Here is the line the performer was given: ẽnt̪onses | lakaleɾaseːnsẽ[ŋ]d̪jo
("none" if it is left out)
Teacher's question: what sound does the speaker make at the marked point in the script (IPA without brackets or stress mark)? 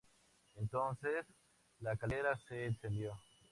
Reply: n